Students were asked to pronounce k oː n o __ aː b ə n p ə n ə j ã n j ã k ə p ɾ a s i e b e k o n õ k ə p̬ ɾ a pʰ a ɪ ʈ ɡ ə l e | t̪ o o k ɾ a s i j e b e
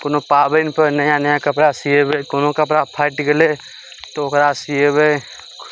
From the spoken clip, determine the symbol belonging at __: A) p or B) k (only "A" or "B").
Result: A